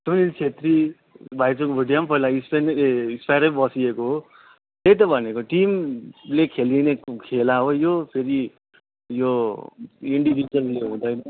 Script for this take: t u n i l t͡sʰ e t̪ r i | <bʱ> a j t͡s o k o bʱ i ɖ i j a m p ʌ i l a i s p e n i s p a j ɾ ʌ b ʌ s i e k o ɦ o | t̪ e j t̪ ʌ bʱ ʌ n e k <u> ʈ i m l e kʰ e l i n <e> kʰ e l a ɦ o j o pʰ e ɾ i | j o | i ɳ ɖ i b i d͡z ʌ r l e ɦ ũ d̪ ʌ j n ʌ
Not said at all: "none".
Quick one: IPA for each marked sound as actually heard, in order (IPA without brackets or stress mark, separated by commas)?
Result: bʱ, o, e